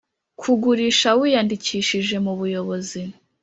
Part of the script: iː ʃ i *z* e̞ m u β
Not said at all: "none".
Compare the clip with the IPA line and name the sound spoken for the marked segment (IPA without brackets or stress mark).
ʒ